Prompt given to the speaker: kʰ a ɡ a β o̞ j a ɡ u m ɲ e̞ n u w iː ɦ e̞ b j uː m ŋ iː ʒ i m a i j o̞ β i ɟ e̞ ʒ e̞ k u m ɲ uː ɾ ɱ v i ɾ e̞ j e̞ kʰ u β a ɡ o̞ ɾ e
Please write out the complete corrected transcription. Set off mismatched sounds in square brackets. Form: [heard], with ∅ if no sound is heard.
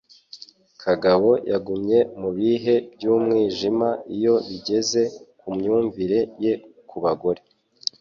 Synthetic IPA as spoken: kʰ a ɡ a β o̞ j a ɡ u m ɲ e̞ [m] u [β] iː ɦ e̞ b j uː m ŋ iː ʒ i m a i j o̞ β i ɟ e̞ [z] e̞ k u m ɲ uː [∅] ɱ v i ɾ e̞ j e̞ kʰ u β a ɡ o̞ ɾ e